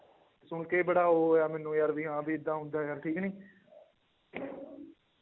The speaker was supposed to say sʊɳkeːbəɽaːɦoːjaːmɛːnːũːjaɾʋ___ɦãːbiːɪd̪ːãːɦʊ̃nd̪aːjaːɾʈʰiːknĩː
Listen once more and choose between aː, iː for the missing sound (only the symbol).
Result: iː